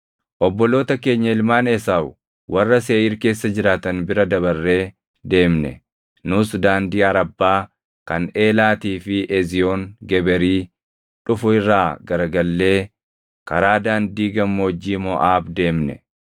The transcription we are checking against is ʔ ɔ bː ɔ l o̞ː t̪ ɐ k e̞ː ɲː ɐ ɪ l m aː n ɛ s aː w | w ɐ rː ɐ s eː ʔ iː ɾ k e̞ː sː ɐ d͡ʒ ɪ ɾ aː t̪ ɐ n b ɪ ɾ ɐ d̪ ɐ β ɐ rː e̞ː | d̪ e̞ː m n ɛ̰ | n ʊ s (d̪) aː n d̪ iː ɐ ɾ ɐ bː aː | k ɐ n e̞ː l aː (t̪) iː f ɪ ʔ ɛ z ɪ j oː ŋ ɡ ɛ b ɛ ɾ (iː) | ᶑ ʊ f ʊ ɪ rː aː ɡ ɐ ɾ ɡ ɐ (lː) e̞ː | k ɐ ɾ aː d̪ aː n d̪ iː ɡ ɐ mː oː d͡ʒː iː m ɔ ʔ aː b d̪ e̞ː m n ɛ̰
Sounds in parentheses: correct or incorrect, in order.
correct, correct, correct, correct

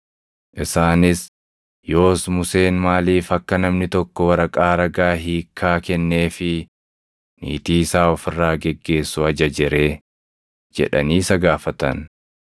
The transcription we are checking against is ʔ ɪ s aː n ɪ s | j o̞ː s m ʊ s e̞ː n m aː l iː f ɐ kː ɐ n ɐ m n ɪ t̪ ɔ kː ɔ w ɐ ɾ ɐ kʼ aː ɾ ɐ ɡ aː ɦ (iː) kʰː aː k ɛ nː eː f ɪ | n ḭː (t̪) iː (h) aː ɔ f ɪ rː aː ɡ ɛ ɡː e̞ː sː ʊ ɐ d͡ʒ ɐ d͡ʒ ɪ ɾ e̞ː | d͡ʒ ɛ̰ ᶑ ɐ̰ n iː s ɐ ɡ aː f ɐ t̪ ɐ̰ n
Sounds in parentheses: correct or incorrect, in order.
correct, correct, incorrect

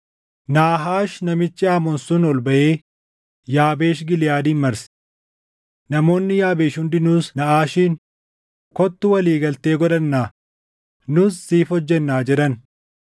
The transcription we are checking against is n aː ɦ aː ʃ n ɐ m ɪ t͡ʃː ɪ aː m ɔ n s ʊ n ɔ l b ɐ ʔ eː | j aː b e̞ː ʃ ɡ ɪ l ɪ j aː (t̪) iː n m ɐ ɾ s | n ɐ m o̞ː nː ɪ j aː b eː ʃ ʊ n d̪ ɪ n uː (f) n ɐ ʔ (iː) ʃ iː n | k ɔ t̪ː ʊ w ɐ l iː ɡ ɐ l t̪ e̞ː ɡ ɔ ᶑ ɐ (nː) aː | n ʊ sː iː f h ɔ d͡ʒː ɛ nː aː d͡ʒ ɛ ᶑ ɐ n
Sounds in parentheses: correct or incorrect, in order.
incorrect, incorrect, incorrect, correct

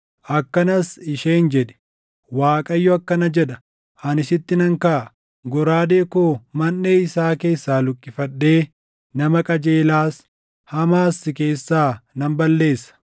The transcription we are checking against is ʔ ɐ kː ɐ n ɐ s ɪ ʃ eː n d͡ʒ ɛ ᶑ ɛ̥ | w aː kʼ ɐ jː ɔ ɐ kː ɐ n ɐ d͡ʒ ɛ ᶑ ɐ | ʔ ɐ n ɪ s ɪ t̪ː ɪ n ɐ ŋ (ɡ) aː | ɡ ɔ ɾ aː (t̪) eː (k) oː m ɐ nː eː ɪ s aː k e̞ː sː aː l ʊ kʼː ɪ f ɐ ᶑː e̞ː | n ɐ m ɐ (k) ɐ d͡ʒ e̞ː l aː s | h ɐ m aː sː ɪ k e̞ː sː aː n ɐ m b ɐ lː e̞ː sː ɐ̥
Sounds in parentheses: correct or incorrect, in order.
incorrect, incorrect, correct, incorrect

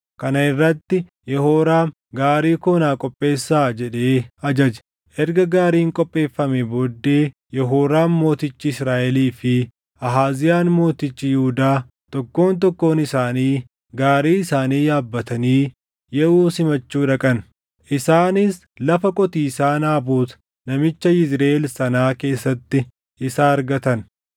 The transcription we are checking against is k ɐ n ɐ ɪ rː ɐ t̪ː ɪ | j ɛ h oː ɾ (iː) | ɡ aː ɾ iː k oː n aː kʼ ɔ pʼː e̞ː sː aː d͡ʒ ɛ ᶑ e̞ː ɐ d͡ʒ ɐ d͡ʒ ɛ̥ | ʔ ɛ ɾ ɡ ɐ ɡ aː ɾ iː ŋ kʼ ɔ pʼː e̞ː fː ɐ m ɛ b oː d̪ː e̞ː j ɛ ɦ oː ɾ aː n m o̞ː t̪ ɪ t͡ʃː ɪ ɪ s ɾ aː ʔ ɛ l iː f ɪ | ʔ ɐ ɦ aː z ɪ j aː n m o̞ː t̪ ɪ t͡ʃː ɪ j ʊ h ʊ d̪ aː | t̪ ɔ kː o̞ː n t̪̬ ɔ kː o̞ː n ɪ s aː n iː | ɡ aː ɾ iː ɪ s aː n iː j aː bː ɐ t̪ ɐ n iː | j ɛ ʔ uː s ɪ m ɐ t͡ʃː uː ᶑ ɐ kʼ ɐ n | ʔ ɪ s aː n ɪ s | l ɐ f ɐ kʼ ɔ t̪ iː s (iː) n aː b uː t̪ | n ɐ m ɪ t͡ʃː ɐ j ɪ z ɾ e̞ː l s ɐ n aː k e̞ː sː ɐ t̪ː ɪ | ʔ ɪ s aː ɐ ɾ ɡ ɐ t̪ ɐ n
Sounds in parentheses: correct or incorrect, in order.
incorrect, incorrect

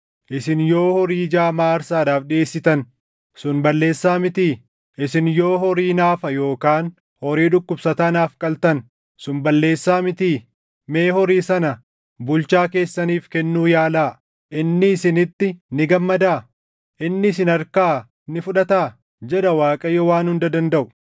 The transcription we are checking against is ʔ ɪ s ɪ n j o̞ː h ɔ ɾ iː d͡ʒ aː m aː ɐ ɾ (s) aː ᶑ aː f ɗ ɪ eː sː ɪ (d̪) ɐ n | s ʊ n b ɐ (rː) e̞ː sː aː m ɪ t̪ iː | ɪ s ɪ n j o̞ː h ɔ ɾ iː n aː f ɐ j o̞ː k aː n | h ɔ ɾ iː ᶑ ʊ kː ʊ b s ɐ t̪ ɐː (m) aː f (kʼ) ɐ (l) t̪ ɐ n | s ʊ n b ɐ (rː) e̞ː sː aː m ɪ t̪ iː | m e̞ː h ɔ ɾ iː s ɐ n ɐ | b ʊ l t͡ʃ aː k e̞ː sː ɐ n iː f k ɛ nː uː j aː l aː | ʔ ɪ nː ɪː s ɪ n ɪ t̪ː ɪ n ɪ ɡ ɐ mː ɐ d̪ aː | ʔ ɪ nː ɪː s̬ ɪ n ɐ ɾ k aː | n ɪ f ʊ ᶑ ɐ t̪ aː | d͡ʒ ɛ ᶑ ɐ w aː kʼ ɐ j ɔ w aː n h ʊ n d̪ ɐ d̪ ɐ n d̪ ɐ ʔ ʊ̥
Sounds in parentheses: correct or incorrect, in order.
correct, incorrect, incorrect, incorrect, correct, correct, incorrect

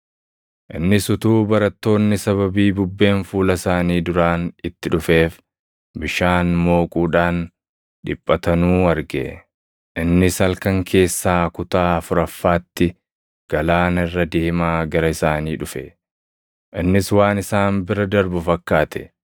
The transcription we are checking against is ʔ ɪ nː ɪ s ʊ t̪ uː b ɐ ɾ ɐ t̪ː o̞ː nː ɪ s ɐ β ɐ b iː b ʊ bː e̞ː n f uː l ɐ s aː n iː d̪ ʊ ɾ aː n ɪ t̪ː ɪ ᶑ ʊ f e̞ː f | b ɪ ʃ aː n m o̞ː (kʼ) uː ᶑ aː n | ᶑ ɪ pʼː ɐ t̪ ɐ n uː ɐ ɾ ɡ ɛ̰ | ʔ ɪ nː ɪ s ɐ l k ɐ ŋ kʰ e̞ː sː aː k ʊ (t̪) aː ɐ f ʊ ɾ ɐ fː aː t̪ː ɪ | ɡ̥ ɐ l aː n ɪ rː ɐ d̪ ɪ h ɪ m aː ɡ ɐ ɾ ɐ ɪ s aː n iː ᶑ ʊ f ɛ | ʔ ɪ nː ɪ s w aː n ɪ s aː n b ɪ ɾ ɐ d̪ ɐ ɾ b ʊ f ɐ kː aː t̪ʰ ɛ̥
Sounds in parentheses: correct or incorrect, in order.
correct, correct

